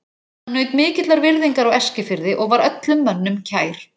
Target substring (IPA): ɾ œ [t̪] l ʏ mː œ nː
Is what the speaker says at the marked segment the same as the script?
yes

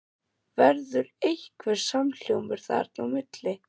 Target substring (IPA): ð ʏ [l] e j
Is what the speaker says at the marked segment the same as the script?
no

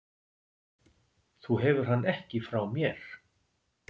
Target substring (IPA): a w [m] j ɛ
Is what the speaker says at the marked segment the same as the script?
yes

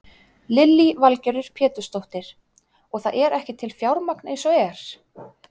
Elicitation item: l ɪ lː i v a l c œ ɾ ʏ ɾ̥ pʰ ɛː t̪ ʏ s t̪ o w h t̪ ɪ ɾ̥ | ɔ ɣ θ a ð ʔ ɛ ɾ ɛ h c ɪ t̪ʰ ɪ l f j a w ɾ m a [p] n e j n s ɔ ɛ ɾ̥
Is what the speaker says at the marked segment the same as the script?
no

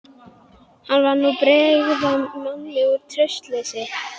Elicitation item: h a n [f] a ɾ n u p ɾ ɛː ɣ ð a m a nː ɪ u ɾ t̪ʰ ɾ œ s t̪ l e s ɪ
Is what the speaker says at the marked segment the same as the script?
no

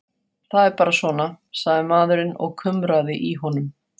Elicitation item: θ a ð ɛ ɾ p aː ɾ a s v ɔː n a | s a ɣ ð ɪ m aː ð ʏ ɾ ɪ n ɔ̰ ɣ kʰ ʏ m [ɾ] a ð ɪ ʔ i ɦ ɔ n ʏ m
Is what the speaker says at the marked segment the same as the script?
yes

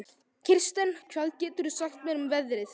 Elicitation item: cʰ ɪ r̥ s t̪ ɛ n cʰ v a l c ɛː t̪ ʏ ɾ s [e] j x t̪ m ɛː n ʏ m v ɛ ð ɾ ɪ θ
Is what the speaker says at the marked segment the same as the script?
no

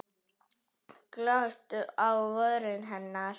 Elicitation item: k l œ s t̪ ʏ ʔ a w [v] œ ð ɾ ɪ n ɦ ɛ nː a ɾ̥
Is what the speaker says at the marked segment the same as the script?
yes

